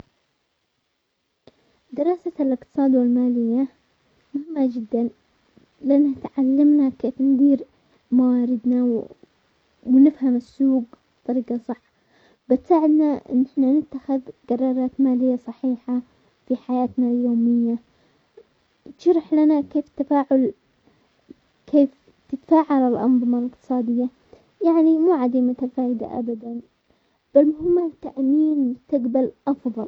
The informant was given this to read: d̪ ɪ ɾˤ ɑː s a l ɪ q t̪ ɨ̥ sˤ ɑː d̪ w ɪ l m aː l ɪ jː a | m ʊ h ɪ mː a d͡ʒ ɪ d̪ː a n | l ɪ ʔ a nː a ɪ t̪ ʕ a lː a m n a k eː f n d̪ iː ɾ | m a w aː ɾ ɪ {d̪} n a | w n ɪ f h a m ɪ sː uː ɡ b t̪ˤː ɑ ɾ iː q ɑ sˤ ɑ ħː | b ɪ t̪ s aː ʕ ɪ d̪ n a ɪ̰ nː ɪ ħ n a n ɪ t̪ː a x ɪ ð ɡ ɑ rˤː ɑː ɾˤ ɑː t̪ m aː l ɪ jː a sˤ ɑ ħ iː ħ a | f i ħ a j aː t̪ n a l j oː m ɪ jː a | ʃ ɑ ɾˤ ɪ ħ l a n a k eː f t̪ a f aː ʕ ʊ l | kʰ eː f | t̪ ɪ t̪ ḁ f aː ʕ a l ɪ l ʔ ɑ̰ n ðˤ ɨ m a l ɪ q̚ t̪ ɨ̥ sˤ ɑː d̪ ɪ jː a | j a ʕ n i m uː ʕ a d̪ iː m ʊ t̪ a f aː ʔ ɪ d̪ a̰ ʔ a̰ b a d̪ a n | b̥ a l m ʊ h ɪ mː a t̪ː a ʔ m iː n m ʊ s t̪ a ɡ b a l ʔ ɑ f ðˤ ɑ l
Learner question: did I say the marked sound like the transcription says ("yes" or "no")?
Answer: yes